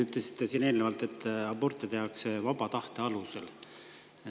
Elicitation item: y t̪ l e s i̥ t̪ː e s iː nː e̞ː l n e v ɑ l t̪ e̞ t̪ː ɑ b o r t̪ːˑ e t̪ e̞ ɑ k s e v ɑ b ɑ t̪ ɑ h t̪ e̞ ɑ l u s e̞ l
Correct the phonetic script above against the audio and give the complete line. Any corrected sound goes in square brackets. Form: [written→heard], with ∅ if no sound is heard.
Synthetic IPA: y t̪ l e s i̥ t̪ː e s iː [nː→n] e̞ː l n e v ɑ l t̪ e̞ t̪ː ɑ b o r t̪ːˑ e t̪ e̞ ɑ k s e v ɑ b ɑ t̪ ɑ h t̪ e̞ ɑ l u s e̞ l